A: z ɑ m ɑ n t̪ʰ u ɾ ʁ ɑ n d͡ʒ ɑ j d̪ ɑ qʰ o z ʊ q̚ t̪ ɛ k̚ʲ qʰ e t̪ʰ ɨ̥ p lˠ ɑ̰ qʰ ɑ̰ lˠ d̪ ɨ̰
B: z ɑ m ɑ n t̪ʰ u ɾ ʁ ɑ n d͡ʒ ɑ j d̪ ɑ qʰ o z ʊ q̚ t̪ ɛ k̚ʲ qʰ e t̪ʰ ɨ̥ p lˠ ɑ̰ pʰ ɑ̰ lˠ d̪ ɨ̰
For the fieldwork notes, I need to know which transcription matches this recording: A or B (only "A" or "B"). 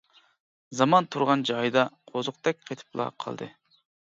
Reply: A